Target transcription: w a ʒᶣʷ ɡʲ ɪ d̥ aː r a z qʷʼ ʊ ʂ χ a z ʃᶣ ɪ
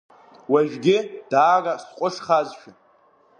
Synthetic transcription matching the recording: w a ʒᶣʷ ɡʲ ɪ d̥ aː r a s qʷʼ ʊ ʂ χ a z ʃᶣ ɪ